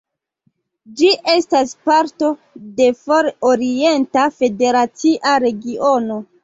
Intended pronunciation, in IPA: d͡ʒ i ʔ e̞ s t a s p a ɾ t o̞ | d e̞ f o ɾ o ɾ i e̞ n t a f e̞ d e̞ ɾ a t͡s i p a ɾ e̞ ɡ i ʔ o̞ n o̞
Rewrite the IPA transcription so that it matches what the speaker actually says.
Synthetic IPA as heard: d͡ʒ i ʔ e̞ s t a s p a ɾ t o̞ | d e̞ f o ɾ o ɾ i e̞ n t a f e̞ d e̞ ɾ a t͡s i ʔ a ɾ e̞ ɡ i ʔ o̞ n o̞